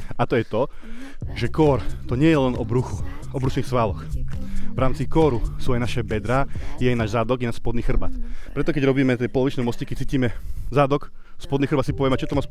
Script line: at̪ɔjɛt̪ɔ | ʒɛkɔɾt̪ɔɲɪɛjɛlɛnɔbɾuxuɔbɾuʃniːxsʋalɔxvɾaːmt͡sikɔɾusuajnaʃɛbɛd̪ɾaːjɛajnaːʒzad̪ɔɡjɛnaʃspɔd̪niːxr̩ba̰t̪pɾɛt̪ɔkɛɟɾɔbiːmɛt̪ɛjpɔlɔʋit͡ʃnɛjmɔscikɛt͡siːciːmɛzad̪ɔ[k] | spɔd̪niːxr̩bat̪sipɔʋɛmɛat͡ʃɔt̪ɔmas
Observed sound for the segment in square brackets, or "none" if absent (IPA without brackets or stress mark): k